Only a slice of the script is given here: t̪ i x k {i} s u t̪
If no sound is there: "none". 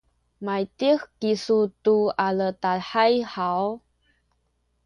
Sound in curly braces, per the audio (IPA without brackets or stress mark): i